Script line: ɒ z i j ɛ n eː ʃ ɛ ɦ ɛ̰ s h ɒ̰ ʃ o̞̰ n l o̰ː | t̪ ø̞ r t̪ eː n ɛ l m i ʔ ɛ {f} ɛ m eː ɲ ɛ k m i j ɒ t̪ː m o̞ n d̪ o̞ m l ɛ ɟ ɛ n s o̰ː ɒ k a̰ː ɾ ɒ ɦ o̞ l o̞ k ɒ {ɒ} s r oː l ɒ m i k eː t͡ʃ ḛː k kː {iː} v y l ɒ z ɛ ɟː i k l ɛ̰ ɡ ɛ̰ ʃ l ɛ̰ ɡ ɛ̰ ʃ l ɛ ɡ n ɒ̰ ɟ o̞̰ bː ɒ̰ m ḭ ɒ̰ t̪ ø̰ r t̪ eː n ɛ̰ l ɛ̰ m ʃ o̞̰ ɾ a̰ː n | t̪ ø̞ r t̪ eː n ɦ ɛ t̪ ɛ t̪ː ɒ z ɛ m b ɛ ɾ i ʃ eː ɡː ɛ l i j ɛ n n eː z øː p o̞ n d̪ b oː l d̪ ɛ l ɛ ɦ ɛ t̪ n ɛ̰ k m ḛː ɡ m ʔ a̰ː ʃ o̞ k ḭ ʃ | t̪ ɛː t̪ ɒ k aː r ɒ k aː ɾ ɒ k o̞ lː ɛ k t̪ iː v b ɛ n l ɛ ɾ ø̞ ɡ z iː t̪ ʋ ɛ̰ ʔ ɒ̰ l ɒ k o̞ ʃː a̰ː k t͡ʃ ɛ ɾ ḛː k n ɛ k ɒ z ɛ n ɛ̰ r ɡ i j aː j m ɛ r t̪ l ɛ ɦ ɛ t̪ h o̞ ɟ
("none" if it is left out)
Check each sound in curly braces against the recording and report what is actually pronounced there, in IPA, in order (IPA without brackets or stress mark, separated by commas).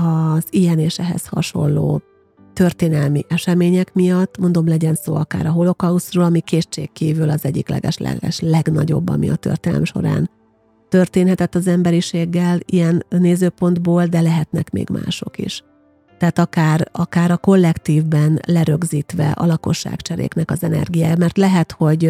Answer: ʃ, u, iː